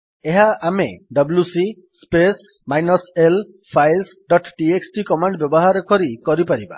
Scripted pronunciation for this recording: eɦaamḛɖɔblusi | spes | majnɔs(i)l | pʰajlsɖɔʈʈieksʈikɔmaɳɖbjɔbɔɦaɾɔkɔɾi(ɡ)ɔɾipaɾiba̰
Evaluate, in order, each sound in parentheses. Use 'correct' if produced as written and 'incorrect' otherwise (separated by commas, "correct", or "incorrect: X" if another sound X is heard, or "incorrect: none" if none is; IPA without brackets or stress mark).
incorrect: e, incorrect: k